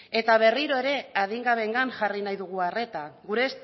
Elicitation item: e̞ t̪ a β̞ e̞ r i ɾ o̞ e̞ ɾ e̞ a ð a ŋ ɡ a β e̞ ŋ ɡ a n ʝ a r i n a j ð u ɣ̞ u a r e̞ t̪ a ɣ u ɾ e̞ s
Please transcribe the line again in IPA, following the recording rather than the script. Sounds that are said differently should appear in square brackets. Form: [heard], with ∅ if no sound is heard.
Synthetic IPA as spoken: e̞ t̪ a β̞ e̞ r i ɾ o̞ e̞ ɾ e̞ a ð [i] ŋ ɡ a β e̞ ŋ ɡ a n ʝ a r i n a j ð u ɣ̞ u a r e̞ t̪ a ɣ u ɾ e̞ s